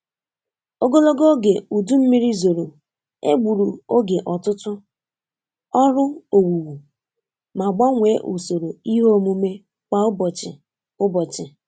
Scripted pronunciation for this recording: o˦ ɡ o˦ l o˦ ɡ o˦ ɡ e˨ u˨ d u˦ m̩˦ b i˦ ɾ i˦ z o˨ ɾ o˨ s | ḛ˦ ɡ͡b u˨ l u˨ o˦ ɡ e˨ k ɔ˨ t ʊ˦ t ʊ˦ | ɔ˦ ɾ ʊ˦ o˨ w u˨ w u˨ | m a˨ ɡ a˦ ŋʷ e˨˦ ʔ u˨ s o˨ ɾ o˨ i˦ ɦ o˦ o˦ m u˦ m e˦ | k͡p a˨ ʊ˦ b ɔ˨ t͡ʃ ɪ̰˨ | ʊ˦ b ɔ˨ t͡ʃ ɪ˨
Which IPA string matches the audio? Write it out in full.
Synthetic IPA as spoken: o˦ ɡ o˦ l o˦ ɡ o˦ ɡ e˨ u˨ d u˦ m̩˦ m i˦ ɾ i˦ z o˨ ɾ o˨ | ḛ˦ ɡ͡b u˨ ɾ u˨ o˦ ɡ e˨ ʔ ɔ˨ t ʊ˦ t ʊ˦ | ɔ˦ ɾ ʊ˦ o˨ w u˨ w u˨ | m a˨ ɡ͡b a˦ ŋʷ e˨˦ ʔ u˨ s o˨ ɾ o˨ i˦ ɦ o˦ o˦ m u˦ m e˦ | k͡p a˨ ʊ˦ b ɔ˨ t͡ʃ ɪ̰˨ | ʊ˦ b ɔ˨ t͡ʃ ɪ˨